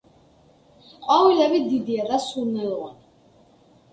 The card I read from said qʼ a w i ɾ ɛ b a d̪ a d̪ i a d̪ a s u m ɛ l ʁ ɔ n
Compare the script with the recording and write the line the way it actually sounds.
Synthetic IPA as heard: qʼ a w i l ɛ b i d̪ i d̪ i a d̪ a s u n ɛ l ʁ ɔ n